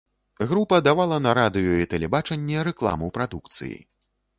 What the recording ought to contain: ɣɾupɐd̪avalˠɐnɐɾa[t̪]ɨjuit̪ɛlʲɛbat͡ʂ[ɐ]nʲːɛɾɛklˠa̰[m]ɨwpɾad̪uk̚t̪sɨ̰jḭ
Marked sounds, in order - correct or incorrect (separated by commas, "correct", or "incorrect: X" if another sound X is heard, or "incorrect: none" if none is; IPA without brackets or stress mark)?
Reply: incorrect: d̪, correct, correct